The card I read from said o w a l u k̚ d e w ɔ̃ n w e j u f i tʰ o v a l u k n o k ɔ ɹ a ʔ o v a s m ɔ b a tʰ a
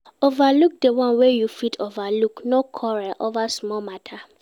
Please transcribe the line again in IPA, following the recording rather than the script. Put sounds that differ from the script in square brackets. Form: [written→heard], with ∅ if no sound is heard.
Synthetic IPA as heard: o [w→v] a l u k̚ d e w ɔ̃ n w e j u f i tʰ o v a l u k n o [k→kʰ] ɔ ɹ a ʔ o v a s m ɔ [b→m] a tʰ a